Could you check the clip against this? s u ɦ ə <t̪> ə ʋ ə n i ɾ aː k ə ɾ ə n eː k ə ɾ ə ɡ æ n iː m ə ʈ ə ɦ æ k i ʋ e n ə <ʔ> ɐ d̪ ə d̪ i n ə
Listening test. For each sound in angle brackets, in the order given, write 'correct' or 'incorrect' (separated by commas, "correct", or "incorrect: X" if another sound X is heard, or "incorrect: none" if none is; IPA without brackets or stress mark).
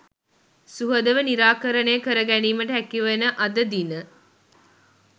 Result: incorrect: d̪, correct